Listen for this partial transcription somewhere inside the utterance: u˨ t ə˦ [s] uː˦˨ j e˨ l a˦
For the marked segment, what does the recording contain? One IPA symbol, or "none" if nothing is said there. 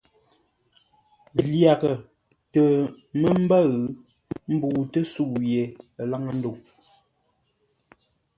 s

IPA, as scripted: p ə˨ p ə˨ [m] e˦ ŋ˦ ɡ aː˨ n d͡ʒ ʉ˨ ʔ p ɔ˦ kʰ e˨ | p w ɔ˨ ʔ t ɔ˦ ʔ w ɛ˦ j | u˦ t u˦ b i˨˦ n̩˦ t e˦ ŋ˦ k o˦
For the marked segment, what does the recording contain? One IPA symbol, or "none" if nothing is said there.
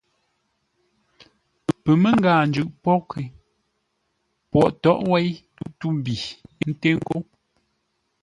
m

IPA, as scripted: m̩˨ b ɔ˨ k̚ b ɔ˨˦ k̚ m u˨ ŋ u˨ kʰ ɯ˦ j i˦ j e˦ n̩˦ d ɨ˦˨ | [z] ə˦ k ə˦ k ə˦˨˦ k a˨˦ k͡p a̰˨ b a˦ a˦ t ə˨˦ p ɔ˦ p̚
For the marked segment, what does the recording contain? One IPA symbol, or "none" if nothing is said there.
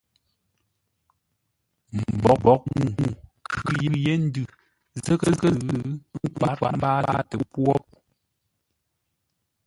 z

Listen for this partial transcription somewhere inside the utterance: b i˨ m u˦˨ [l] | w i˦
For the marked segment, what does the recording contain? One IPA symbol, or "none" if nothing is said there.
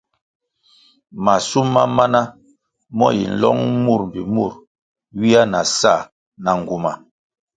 ɾ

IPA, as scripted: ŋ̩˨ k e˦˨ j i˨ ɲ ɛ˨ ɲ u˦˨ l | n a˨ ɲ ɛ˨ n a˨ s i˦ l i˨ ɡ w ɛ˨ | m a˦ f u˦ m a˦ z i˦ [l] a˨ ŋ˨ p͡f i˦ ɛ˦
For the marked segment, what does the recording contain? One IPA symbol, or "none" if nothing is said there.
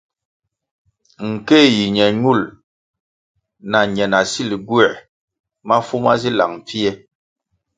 l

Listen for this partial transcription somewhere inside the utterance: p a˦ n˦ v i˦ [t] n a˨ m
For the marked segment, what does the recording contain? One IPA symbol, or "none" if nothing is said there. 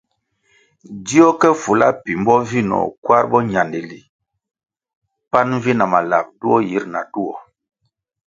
none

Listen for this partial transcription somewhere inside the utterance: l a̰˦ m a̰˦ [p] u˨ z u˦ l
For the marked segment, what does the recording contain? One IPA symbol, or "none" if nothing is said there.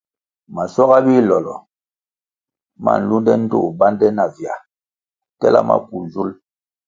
p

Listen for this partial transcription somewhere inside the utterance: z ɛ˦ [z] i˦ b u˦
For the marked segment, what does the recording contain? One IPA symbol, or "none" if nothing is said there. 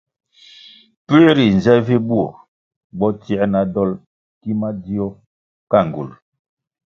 v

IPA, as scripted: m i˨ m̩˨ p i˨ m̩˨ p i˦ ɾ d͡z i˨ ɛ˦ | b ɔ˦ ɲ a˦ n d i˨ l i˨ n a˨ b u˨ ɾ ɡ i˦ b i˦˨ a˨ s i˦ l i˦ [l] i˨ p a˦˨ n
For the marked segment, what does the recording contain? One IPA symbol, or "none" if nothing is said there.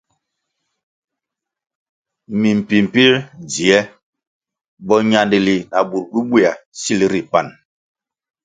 ɾ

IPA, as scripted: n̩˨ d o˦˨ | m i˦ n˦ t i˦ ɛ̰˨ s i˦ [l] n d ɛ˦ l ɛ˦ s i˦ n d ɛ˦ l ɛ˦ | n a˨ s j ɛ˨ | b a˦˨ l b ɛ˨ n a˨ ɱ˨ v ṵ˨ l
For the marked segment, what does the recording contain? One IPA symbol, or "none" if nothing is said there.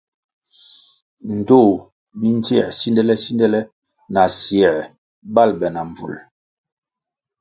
none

